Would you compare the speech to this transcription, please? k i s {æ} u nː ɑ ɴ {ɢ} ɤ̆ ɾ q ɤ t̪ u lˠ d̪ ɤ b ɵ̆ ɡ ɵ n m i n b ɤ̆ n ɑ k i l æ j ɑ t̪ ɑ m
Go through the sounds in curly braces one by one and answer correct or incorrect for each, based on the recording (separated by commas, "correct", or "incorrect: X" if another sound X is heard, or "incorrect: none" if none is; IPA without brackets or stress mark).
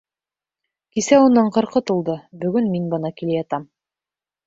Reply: correct, incorrect: q